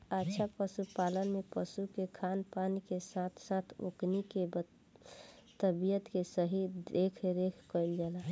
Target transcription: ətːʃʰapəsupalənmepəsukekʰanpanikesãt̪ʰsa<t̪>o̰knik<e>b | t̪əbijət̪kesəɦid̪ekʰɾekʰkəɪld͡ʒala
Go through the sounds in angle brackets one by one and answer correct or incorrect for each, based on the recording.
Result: incorrect: t̪ʰ, correct

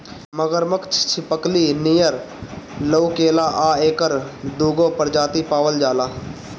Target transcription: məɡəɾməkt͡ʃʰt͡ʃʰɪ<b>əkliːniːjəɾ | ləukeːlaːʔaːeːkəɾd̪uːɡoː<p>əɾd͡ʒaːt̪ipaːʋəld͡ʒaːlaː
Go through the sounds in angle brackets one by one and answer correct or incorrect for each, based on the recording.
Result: incorrect: p, correct

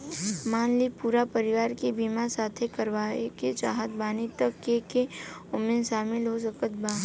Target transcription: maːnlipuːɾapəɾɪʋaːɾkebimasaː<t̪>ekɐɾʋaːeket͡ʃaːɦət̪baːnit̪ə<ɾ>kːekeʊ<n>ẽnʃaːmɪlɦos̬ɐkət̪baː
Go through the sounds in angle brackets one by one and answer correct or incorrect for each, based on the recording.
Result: incorrect: t̪ʰ, incorrect: none, incorrect: m

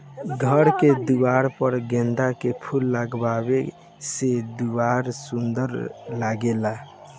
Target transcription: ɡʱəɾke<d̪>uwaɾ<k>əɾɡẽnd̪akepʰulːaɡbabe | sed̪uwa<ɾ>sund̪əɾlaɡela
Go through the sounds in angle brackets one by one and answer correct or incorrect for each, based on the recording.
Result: correct, incorrect: p, correct

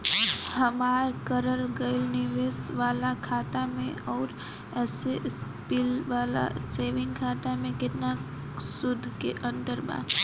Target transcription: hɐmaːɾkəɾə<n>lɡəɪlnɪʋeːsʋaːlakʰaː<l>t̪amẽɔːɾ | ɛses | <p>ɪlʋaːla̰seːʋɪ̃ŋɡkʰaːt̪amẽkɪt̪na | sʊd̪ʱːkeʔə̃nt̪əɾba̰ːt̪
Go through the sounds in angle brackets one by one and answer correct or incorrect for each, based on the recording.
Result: incorrect: none, incorrect: none, correct

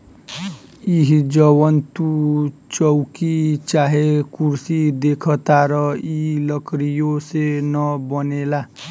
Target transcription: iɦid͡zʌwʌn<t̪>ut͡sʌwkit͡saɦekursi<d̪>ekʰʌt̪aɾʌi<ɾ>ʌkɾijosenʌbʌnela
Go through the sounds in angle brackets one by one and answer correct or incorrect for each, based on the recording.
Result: correct, correct, incorrect: l

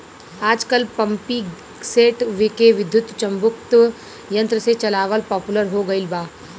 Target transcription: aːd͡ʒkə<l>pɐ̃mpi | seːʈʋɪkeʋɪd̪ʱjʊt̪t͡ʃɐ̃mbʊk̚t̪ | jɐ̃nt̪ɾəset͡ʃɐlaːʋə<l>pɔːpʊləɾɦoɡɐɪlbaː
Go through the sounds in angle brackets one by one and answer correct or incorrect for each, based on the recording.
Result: correct, correct

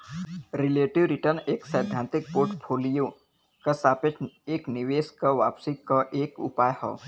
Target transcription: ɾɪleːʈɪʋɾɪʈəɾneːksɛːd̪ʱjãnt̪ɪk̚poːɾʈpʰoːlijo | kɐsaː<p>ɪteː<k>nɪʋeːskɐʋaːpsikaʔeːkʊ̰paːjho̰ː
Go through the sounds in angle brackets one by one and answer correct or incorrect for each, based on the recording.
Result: correct, correct

